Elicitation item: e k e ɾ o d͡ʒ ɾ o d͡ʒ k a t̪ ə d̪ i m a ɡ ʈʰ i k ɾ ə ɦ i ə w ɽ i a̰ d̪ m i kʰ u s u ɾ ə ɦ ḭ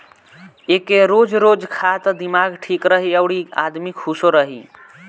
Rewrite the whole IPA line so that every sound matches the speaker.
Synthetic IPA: e k e ɾ o d͡ʒ ɾ o d͡ʒ kʰ a t̪ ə d̪ i m a ɡ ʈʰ i k ɾ ə ɦ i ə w ɽ i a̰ d̪ m i kʰ u s o ɾ ə ɦ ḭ